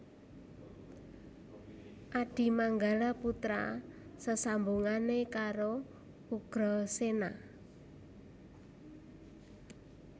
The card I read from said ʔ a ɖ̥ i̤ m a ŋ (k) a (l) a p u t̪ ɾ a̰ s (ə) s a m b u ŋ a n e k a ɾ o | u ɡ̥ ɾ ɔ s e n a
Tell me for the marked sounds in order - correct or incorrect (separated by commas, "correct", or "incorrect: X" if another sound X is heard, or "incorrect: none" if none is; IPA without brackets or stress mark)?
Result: incorrect: ɡ, correct, correct